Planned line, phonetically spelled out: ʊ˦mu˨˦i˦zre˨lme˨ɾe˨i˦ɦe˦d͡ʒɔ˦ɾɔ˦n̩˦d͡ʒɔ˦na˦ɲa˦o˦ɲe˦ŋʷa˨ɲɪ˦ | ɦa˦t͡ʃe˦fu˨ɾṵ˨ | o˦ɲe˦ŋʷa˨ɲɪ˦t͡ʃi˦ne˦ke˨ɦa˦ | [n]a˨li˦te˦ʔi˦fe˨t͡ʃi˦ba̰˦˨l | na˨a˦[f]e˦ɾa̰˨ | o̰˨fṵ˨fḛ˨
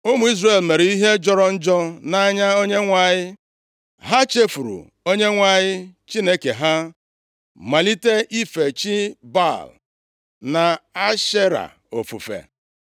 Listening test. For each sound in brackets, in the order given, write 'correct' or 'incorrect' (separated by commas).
incorrect, incorrect